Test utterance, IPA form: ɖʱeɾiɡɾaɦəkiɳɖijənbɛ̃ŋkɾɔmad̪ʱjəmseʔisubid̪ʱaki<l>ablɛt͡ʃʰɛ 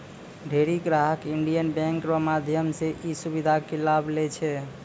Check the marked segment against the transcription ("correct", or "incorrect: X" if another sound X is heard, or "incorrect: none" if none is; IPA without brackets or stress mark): correct